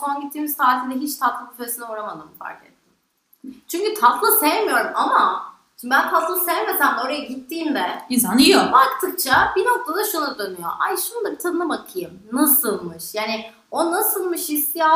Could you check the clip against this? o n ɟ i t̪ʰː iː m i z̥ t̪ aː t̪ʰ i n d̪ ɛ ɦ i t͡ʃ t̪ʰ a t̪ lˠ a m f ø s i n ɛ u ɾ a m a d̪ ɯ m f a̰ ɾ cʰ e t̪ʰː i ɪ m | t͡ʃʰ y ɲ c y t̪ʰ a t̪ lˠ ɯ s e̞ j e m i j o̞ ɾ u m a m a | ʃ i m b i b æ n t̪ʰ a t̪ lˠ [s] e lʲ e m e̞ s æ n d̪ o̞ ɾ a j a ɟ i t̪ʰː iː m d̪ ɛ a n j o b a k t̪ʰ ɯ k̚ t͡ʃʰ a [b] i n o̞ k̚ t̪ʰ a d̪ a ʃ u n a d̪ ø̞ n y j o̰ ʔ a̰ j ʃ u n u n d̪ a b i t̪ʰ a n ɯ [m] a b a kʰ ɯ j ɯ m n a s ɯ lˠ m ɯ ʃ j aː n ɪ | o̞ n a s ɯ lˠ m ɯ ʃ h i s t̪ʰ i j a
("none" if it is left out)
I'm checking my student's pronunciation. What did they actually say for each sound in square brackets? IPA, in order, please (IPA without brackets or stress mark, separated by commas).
s, b, n